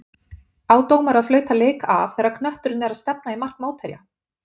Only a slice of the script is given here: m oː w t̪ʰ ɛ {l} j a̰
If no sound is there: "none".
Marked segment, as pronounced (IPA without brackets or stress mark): ɾ